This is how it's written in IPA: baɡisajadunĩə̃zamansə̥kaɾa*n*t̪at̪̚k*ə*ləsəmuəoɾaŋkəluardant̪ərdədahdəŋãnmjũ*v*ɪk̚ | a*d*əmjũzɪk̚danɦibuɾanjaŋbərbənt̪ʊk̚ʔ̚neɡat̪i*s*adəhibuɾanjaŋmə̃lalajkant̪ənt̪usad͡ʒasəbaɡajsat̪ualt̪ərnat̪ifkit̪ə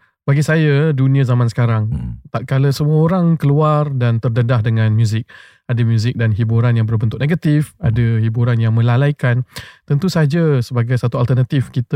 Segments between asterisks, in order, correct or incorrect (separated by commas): incorrect, incorrect, incorrect, correct, incorrect